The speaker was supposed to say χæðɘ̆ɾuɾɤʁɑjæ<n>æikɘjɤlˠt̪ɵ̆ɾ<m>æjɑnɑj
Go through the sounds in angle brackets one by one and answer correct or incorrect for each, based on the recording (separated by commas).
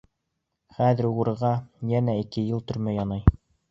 correct, correct